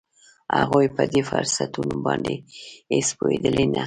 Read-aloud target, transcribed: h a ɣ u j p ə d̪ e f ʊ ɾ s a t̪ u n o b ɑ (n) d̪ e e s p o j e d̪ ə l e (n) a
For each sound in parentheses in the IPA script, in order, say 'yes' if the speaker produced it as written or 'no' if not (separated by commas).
yes, yes